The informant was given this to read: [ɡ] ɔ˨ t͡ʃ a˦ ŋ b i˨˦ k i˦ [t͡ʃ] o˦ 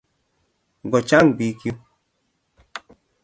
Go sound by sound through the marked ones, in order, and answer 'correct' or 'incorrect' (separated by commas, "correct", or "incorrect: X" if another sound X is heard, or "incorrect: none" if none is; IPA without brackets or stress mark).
correct, incorrect: none